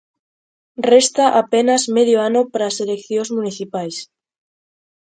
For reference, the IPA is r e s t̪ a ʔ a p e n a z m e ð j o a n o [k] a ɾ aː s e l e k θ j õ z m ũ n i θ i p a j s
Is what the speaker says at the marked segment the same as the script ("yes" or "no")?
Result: no